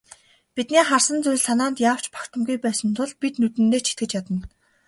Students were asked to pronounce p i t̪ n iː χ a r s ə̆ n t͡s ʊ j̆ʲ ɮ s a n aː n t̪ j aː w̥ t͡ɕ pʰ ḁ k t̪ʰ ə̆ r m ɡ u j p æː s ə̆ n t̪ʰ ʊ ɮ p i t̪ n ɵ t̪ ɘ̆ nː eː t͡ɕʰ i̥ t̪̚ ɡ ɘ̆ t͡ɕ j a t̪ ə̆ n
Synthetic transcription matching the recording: p i t̪ n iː χ a r s ə̆ n t͡s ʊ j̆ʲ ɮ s a n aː n t̪ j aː w̥ t͡ɕ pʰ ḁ k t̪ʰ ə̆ m ɡ u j p æː s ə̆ n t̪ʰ ʊ ɮ p i t̪ n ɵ t̪ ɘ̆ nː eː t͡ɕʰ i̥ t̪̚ ɡ ɘ̆ t͡ɕ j a t̪ ə̆ n